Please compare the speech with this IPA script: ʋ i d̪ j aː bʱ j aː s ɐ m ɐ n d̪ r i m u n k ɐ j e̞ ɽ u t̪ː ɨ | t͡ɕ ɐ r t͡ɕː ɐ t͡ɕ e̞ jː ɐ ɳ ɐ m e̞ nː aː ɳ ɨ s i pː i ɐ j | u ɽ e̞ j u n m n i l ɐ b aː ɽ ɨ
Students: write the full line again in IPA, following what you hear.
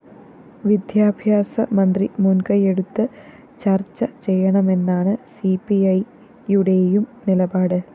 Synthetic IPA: ʋ i d̪ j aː bʱ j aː s ɐ m ɐ n d̪ r i m u n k ɐ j e̞ ɽ u t̪ː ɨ | t͡ɕ ɐ r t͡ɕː ɐ t͡ɕ e̞ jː ɐ ɳ ɐ m e̞ nː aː ɳ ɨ s i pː i ɐ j | u ɽ e̞ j u m n i l ɐ b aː ɽ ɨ